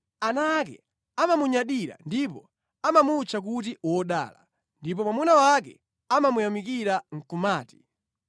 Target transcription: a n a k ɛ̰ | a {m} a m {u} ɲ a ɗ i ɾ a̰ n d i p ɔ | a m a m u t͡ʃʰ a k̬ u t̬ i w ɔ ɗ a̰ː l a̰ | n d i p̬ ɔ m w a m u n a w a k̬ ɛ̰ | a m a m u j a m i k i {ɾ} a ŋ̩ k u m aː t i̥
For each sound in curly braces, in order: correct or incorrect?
correct, correct, correct

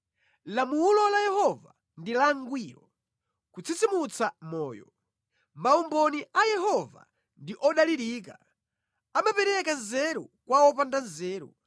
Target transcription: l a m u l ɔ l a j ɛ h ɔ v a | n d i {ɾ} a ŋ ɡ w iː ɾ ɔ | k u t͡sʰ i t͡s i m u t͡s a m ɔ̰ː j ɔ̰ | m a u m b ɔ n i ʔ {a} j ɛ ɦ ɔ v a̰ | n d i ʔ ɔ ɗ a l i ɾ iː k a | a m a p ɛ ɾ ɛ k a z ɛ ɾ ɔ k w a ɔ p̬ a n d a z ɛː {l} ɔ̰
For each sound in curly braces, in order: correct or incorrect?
incorrect: l, correct, incorrect: ɾ

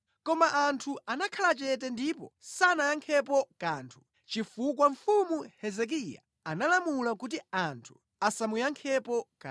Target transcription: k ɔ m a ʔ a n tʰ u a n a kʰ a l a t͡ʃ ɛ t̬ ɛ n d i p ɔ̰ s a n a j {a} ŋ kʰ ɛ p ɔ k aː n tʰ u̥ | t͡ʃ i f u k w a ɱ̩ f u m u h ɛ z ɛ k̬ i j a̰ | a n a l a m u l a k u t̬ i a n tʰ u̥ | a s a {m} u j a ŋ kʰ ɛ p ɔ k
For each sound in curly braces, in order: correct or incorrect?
correct, correct

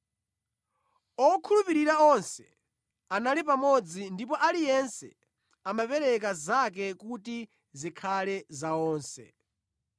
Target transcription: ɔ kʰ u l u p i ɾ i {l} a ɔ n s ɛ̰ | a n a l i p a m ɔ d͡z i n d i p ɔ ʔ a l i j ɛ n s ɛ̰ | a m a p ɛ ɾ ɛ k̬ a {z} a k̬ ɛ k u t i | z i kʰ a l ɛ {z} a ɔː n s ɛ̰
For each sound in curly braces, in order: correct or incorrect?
incorrect: ɾ, correct, correct

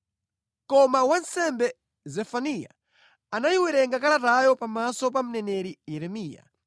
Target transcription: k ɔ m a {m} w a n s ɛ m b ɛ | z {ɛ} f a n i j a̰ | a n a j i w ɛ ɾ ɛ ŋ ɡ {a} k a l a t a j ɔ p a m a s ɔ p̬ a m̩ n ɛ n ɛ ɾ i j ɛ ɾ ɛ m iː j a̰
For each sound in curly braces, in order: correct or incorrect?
incorrect: none, correct, correct

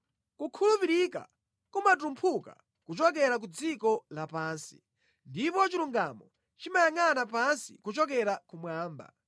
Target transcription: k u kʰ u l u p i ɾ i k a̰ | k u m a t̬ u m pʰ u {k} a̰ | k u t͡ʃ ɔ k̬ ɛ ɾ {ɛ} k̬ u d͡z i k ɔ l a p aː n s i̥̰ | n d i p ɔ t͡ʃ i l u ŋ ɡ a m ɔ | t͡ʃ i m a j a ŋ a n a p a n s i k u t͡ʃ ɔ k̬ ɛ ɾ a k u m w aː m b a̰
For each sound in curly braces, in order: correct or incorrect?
correct, incorrect: a

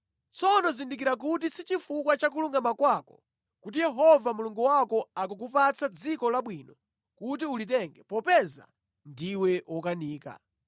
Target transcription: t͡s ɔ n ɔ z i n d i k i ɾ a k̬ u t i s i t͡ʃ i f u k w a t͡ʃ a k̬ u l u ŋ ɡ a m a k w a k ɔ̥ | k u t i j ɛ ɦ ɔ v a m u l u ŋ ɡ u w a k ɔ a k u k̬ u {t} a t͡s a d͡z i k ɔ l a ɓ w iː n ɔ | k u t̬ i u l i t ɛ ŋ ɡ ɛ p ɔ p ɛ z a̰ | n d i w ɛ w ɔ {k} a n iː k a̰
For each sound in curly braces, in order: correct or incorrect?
incorrect: p, correct

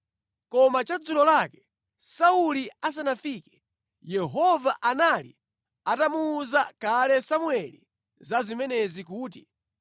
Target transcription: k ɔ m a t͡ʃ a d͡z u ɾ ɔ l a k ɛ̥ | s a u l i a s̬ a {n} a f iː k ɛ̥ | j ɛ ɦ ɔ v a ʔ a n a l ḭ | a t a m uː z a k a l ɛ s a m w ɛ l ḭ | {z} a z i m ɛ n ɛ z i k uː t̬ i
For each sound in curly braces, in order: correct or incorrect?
correct, correct

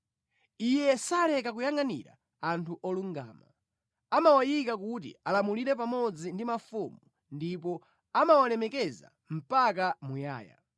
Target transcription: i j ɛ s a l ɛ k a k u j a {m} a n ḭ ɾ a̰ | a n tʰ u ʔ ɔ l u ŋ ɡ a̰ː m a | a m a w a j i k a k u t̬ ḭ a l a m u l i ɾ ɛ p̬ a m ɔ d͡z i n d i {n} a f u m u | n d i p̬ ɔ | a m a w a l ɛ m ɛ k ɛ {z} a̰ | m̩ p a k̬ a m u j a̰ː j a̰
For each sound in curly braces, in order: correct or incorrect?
incorrect: ŋ, incorrect: m, correct

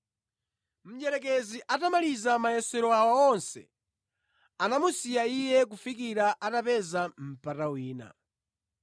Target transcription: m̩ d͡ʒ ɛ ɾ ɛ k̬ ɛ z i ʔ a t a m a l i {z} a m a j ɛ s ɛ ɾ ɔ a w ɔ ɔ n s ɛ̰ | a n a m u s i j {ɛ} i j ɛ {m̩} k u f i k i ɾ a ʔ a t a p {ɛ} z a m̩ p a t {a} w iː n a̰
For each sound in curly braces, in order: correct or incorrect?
correct, incorrect: a, incorrect: none, correct, correct

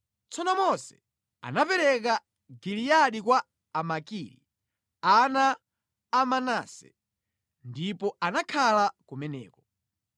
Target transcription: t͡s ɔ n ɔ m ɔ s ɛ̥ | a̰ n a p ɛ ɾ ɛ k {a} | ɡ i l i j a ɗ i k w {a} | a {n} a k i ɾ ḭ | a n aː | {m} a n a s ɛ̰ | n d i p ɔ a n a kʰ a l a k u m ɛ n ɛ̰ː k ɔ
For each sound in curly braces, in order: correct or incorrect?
correct, correct, incorrect: m, correct

